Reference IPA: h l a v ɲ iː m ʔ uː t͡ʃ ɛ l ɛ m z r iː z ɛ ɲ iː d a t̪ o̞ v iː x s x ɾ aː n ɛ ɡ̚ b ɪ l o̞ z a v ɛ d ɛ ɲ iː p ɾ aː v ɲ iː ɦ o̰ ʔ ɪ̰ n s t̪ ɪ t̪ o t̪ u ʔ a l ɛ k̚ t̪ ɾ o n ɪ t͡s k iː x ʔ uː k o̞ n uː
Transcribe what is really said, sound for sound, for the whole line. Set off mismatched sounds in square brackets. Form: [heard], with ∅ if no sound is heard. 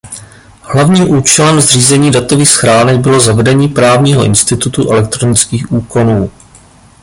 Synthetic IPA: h l a v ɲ iː m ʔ uː t͡ʃ ɛ l ɛ m z r iː z ɛ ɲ iː d a t̪ o̞ v iː x s x ɾ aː n ɛ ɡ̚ b ɪ l o̞ z a v ɛ d ɛ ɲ iː p ɾ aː v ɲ iː ɦ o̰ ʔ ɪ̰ n s t̪ ɪ t̪ [u] t̪ u ʔ [ɛ] l ɛ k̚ t̪ ɾ o n ɪ t͡s k iː x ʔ uː k o̞ n uː